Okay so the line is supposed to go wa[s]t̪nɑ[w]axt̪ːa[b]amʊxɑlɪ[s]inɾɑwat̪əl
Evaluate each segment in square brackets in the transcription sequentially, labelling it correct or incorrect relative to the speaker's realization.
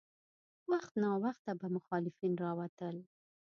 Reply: incorrect, correct, correct, incorrect

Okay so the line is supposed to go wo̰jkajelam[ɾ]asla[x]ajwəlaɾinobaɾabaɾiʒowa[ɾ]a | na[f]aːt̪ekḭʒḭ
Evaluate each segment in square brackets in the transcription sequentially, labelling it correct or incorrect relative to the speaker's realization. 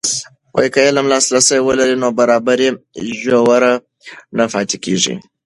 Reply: incorrect, incorrect, correct, correct

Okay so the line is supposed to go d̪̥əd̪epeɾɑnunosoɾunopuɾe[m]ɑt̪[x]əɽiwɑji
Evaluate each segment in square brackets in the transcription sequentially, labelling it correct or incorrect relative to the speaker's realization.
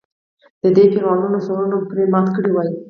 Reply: correct, incorrect

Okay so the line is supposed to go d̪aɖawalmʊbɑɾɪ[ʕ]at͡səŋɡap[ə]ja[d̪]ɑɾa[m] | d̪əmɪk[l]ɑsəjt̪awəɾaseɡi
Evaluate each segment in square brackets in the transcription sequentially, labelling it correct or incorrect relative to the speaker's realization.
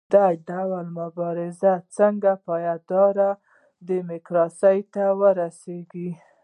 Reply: incorrect, incorrect, correct, incorrect, incorrect

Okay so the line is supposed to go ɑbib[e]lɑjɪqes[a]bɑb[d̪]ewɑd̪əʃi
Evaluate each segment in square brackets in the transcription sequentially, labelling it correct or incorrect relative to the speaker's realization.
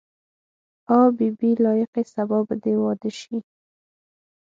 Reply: incorrect, correct, correct

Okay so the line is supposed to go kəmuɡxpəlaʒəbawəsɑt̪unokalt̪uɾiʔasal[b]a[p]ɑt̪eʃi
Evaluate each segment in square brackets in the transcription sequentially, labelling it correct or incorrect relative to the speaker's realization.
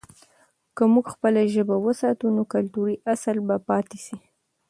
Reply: correct, correct

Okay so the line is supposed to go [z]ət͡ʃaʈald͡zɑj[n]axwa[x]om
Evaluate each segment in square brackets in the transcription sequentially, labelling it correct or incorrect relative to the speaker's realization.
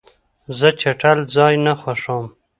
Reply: correct, correct, incorrect

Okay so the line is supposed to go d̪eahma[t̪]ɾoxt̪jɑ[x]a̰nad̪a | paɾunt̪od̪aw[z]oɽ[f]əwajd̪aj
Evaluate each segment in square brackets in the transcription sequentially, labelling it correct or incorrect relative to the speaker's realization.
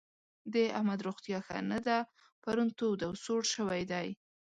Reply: incorrect, correct, incorrect, incorrect

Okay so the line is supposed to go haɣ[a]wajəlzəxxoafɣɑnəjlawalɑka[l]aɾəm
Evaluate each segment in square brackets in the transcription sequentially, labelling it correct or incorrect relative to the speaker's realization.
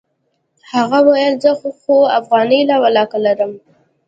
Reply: correct, correct

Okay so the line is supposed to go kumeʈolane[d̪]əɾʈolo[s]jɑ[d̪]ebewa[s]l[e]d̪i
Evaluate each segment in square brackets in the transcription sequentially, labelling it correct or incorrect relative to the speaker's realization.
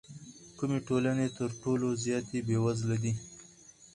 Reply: incorrect, incorrect, incorrect, incorrect, incorrect

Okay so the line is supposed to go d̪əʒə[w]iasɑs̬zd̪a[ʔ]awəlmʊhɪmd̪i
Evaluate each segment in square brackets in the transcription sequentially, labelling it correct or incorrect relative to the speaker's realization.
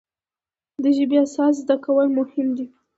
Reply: incorrect, incorrect

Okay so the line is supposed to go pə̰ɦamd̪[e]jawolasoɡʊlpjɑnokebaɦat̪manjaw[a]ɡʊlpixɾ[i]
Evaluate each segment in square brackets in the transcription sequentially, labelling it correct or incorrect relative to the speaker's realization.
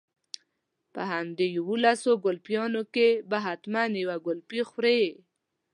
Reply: correct, correct, incorrect

